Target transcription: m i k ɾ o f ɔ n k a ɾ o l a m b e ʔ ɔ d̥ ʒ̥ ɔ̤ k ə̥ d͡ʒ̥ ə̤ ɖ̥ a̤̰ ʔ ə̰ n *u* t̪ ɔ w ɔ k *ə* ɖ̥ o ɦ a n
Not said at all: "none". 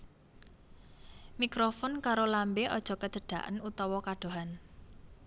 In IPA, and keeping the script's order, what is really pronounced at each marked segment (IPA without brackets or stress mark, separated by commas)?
u, a